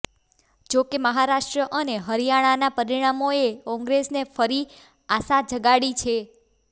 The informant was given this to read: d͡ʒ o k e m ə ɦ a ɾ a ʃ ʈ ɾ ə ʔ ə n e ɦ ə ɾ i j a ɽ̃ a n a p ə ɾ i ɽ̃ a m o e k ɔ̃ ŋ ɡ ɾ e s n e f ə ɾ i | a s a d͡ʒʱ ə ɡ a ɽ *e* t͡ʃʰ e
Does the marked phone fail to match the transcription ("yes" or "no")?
yes